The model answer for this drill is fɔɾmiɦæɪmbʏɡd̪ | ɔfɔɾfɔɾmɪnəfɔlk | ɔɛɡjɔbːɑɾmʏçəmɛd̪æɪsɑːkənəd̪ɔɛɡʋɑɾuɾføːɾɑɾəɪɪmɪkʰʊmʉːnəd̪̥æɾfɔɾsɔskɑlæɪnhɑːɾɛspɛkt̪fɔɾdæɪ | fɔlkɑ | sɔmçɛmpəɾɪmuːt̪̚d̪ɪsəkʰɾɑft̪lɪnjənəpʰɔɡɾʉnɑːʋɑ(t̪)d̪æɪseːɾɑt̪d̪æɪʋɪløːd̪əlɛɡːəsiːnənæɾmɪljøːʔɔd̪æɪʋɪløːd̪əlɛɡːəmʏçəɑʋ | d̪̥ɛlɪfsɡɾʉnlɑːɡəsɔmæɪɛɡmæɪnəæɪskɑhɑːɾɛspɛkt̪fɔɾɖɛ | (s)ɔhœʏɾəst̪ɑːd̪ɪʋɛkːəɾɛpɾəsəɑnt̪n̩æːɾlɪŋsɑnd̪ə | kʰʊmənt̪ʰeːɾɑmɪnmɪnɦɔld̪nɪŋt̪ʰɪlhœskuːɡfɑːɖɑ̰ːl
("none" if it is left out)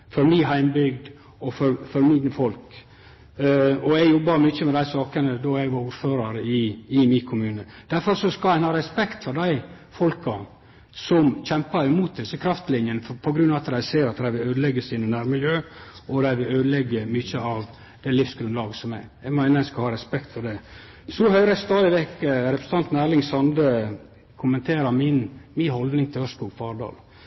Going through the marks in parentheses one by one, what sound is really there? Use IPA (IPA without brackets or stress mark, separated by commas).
t̪, s